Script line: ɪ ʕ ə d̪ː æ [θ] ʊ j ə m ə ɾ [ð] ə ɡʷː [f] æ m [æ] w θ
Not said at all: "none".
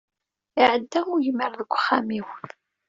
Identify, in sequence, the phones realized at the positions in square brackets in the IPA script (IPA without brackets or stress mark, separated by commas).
none, ð, χ, i